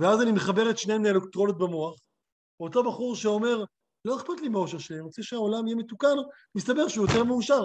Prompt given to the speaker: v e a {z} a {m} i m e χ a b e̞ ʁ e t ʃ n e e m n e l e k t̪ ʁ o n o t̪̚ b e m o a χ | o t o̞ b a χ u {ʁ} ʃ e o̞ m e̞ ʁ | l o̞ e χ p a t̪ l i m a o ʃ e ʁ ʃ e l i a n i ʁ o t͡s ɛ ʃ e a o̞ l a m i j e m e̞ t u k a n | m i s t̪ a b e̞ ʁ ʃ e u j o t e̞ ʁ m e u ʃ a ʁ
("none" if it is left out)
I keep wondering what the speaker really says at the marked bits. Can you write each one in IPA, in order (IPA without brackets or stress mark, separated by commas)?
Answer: z, n, ʁ